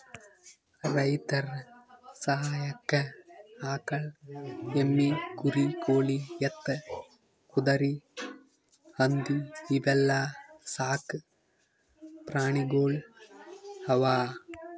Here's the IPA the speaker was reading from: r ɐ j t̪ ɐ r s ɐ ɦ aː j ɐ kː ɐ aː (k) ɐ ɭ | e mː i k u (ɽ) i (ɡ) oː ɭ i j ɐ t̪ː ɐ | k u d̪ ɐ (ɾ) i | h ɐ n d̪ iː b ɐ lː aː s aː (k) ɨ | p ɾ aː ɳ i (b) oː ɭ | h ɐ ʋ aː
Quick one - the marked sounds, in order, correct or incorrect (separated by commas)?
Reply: correct, incorrect, incorrect, correct, correct, incorrect